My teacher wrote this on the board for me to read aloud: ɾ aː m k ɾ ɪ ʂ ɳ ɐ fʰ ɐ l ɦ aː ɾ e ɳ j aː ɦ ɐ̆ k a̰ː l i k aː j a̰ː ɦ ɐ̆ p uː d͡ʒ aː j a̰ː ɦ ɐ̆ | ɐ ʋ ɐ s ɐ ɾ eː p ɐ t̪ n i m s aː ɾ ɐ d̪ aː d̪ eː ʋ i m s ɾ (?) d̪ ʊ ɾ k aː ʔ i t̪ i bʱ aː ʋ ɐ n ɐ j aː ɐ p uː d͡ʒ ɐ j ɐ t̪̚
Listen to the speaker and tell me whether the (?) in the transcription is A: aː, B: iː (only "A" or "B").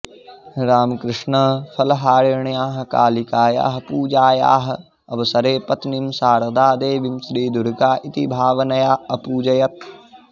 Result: B